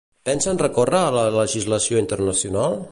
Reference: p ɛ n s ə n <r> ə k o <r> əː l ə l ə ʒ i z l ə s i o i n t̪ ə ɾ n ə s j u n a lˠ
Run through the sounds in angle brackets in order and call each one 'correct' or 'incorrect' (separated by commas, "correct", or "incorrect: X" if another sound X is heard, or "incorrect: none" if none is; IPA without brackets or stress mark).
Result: correct, correct